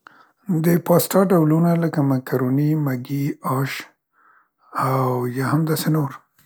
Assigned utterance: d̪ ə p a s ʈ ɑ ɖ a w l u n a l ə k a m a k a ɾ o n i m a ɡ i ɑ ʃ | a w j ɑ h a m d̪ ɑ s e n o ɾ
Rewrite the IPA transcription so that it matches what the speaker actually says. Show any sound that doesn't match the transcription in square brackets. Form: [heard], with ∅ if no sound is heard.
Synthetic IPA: d̪ ə p [ɑ] s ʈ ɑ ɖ a w l u n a l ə k a m a k a ɾ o n i m a ɡ i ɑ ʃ | a w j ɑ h a m d̪ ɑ s e n o ɾ